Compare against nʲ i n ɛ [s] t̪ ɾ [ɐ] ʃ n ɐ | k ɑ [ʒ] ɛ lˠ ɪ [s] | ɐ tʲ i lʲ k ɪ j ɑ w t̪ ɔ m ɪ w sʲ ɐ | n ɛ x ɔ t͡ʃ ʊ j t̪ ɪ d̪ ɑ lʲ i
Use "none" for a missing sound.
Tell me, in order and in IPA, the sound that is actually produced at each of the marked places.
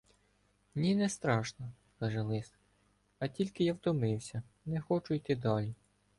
s, ɑ, ʒ, s

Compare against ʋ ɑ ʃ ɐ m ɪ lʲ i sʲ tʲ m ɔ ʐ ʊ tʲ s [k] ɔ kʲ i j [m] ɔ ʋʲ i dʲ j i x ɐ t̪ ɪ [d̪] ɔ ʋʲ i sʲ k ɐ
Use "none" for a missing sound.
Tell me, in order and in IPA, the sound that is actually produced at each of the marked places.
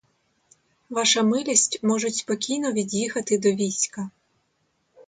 p, n, d̪

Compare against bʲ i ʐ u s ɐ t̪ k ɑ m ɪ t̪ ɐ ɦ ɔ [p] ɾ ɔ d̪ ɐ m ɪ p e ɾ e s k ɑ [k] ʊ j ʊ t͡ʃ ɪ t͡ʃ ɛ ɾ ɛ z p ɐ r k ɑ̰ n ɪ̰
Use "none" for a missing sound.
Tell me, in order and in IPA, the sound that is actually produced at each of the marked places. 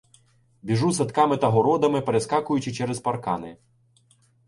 none, k

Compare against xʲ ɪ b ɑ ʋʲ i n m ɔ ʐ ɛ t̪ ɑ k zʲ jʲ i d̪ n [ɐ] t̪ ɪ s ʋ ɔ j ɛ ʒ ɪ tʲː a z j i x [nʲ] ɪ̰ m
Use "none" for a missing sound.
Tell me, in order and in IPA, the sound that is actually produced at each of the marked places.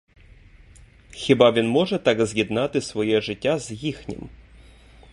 ɑ, nʲ

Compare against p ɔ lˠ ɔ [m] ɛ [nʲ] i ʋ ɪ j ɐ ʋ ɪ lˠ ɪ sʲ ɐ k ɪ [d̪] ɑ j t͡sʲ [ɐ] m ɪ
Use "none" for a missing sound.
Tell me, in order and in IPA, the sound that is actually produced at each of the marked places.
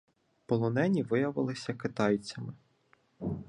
n, nʲ, t̪, ɐ

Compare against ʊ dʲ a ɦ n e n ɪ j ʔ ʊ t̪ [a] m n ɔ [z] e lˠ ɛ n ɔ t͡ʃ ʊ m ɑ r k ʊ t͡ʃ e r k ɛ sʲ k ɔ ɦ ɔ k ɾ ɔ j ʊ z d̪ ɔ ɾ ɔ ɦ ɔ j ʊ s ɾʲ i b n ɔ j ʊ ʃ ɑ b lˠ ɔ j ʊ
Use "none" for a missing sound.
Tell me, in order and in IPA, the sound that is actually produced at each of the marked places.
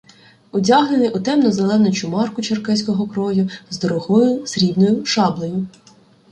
ɛ, z

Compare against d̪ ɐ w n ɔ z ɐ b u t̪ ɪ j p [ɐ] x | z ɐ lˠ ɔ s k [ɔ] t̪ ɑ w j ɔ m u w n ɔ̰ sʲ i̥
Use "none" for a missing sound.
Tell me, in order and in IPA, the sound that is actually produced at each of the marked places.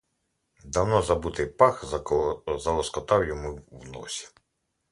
ɑ, ɔ

